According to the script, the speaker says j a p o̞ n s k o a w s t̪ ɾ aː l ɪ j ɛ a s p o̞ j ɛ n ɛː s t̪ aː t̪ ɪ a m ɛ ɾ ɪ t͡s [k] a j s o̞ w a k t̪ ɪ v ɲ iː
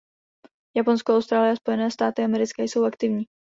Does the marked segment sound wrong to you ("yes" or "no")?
no